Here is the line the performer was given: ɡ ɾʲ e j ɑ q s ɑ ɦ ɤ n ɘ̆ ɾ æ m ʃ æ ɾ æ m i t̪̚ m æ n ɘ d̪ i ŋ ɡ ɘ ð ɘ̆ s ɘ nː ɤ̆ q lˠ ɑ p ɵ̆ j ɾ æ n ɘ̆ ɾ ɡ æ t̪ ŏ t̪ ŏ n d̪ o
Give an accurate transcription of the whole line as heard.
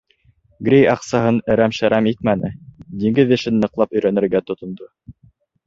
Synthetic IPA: ɡ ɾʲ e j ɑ q s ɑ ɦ ɤ n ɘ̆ ɾ æ m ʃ æ ɾ æ m i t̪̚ m æ n ɘ d̪ i ŋ ɡ ɘ ð ɘ̆ ʃ ɘ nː ɤ̆ q lˠ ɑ p ɵ̆ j ɾ æ n ɘ̆ ɾ ɡ æ t̪ ŏ t̪ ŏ n d̪ o